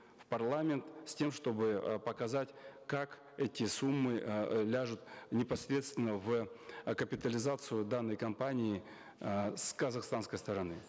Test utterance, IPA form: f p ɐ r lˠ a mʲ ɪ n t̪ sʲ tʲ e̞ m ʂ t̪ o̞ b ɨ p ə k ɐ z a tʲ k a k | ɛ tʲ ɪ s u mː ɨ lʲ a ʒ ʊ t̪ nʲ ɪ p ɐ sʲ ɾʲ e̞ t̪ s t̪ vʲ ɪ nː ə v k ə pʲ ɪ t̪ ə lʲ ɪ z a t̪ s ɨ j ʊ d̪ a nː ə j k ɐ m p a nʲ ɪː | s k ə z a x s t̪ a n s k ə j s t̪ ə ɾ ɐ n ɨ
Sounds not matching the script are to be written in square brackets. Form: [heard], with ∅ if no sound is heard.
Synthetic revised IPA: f p ɐ r lˠ a mʲ ɪ n t̪ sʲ tʲ e̞ m ʂ t̪ o̞ b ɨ p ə k ɐ z a tʲ k a k | ɛ tʲ ɪ s u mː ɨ lʲ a [ʐ] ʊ t̪ nʲ ɪ p ɐ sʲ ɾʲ e̞ t̪ s t̪ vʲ ɪ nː ə v k ə pʲ ɪ t̪ ə lʲ ɪ z a t̪ s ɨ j ʊ d̪ a nː ə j k ɐ m p a nʲ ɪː | s k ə z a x s t̪ a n s k ə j s t̪ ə ɾ ɐ n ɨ

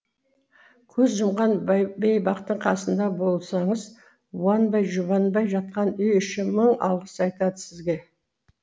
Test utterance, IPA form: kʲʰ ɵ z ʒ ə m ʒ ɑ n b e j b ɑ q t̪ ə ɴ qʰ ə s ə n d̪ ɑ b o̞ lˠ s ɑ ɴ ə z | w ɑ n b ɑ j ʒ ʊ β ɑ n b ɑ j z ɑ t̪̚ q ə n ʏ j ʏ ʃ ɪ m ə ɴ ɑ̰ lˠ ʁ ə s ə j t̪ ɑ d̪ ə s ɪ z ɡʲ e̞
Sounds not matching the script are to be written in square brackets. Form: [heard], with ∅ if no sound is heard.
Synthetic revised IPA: kʲʰ ɵ z ʒ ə m [ʁ] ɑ n b e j b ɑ q t̪ ə ɴ qʰ [ɑ] s ə n d̪ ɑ b o̞ lˠ s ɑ ɴ ə z | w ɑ n b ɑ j ʒ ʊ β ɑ n b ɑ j [ʒ] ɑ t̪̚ q [ɑ] n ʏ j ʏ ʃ ɪ m ə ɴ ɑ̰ lˠ ʁ ə s [ɑ] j t̪ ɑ d̪ ə s ɪ z ɡʲ e̞

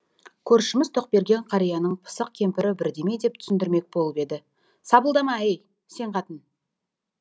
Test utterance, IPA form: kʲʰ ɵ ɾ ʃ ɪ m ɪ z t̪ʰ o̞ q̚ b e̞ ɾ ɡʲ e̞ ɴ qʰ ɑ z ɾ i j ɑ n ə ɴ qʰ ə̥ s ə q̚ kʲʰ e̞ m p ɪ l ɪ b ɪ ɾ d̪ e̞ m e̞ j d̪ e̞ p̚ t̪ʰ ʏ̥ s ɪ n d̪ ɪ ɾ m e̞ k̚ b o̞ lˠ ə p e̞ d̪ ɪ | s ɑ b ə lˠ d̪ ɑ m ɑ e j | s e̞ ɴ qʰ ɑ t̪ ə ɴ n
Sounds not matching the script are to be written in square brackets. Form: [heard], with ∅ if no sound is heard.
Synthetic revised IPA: kʲʰ ɵ ɾ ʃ ɪ m ɪ z t̪ʰ o̞ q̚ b e̞ ɾ ɡʲ e̞ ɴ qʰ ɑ [∅] ɾ i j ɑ n ə ɴ [pʰ] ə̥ s ə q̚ kʲʰ e̞ m p ɪ [ɾ] ɪ b ɪ ɾ d̪ e̞ m e̞ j d̪ e̞ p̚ t̪ʰ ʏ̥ s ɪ n d̪ ɪ ɾ m e̞ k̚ b o̞ lˠ ə p e̞ d̪ ɪ | s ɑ b ə lˠ d̪ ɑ m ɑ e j | s e̞ ɴ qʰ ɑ t̪ ə [∅] n

